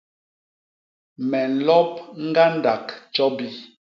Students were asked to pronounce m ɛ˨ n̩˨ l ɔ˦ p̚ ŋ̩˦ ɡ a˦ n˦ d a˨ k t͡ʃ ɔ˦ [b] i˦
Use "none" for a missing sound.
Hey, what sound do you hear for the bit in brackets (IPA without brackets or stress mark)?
b